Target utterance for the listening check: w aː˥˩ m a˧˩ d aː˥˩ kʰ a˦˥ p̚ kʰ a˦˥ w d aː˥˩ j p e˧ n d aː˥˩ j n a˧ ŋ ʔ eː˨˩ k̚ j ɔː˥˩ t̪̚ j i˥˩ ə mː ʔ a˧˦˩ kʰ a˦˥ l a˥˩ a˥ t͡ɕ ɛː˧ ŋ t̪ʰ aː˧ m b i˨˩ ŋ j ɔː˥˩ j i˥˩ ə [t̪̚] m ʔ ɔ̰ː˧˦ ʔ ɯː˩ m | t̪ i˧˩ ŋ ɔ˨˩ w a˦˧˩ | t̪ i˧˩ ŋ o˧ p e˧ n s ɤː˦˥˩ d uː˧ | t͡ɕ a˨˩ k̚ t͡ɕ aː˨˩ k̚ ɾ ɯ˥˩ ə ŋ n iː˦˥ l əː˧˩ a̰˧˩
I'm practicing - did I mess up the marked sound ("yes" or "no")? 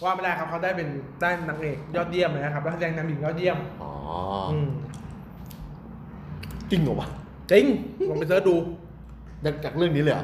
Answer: yes